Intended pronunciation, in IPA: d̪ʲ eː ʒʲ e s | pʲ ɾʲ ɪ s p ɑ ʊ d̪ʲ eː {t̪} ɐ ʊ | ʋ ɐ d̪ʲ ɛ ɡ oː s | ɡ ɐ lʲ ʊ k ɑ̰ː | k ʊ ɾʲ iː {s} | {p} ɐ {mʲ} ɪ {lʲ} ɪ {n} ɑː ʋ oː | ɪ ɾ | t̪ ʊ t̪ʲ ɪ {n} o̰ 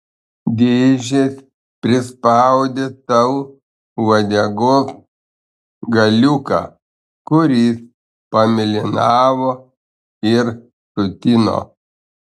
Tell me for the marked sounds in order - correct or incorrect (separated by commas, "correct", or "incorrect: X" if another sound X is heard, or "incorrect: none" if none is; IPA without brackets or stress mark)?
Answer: correct, correct, correct, correct, correct, correct, correct